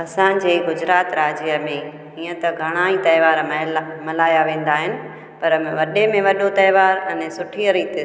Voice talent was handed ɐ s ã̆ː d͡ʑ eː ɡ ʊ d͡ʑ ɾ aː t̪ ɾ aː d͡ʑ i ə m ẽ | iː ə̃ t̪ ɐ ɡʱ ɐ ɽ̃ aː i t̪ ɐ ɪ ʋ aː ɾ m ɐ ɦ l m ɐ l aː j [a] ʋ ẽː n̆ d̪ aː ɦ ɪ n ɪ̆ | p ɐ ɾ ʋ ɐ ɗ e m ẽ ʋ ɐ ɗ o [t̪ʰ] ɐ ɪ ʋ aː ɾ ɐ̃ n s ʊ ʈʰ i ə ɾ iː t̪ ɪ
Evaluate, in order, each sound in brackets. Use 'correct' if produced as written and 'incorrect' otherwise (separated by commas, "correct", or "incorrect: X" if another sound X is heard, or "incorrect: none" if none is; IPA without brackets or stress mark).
correct, incorrect: t̪